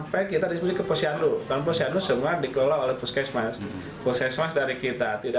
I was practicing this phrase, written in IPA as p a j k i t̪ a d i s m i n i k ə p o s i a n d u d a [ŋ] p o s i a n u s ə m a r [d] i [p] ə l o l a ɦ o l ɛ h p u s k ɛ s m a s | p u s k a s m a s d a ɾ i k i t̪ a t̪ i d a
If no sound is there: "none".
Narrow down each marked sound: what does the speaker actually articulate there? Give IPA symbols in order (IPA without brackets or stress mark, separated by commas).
n, d, k